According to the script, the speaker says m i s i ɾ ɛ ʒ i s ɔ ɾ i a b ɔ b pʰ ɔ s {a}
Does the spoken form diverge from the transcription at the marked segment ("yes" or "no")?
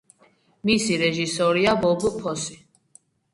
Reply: yes